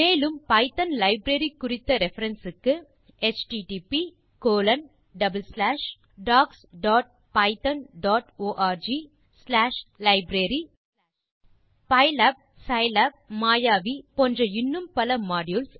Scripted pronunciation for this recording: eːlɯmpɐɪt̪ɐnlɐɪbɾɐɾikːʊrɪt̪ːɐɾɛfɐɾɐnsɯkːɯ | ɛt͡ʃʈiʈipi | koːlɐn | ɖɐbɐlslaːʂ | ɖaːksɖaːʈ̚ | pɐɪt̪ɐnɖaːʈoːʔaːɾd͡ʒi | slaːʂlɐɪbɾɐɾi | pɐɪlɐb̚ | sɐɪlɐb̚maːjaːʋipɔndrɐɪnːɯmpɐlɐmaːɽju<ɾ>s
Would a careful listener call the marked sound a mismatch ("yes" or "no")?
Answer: yes